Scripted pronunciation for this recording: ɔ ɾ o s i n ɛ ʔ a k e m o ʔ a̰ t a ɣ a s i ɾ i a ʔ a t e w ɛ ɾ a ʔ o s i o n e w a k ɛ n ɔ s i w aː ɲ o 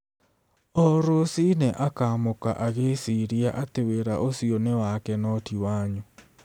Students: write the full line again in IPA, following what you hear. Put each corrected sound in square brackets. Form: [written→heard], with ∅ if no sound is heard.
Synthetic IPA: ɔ ɾ o s i n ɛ ʔ a k [e→a] m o [ʔ→k] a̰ [t→ʔ] a ɣ [a→e] s i ɾ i a ʔ a t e w [ɛ→e] ɾ a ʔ o s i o n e w a k ɛ n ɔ [s→t] i w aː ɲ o